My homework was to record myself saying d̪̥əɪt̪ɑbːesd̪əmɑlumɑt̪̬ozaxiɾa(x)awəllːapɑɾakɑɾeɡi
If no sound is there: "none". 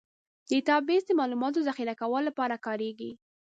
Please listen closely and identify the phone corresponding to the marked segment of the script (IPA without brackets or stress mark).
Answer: k